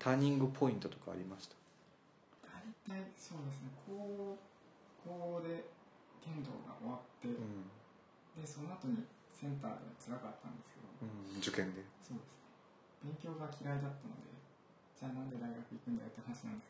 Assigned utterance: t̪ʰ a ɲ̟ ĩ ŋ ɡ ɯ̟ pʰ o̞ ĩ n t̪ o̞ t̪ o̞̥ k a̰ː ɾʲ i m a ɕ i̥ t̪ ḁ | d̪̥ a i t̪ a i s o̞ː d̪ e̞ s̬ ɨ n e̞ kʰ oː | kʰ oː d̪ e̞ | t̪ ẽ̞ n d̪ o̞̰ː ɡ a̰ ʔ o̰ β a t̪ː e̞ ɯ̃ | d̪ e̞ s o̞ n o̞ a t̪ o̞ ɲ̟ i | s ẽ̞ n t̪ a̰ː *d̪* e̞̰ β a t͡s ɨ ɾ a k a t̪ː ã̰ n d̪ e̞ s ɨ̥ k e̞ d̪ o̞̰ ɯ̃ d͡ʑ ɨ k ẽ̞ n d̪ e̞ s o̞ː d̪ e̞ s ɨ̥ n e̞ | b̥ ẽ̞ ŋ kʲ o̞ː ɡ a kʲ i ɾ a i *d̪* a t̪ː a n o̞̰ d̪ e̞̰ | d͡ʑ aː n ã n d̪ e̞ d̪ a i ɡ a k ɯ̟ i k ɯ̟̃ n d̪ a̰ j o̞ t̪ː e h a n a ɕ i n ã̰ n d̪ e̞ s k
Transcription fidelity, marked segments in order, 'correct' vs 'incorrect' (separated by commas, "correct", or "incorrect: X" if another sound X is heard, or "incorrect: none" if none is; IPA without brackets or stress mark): correct, correct